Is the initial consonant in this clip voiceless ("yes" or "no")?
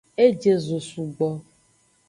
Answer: no